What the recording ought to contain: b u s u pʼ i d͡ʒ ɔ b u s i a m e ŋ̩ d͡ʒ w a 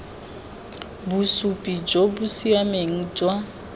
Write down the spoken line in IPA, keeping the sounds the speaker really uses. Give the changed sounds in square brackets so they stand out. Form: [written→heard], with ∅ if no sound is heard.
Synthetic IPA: b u s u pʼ i d͡ʒ [ɔ→o] b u s i a m e ŋ̩ d͡ʒ w a